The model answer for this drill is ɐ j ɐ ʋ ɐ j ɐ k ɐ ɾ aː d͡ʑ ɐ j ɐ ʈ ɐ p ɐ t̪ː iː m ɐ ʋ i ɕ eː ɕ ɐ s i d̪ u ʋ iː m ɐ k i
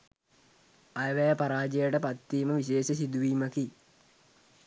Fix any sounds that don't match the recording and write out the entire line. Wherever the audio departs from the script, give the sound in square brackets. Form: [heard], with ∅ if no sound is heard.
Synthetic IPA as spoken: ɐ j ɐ ʋ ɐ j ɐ [p] ɐ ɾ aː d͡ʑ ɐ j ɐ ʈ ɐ p ɐ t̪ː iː m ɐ ʋ i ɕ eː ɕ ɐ s i d̪ u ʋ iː m ɐ k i